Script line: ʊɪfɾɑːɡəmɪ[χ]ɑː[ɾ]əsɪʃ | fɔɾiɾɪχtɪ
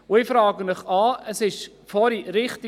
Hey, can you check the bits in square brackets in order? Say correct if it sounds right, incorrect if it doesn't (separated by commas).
correct, incorrect